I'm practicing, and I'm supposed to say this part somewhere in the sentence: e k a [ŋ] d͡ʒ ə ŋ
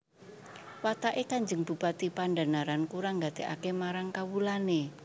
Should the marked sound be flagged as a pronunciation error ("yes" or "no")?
yes